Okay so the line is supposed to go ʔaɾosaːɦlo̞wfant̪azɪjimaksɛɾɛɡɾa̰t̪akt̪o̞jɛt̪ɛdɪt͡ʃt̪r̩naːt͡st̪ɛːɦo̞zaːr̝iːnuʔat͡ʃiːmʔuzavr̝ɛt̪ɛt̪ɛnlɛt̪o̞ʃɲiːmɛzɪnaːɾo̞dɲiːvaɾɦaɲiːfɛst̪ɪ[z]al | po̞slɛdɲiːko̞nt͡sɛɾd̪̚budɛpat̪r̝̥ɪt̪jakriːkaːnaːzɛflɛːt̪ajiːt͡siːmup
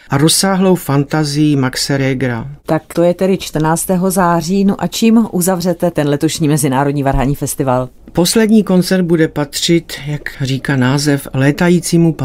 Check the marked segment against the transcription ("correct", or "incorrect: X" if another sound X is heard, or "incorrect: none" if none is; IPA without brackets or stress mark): incorrect: v